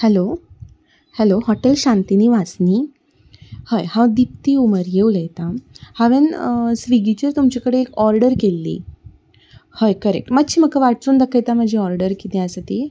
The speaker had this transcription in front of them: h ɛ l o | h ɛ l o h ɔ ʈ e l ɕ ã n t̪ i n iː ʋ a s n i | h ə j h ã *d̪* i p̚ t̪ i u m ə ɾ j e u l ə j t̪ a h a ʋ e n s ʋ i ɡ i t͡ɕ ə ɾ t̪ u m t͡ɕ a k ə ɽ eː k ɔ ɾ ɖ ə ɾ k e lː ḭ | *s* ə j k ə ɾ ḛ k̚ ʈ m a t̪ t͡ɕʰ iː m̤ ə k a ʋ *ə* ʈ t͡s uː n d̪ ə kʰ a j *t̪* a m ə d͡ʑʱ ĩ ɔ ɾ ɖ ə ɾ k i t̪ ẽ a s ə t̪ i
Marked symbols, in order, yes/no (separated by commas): yes, no, no, yes